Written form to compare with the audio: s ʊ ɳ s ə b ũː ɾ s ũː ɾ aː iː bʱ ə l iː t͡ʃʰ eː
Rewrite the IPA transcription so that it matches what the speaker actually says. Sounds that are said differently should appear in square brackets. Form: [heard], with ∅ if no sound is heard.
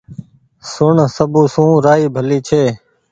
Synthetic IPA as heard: s ʊ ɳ s ə b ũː [∅] s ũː ɾ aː iː bʱ ə l iː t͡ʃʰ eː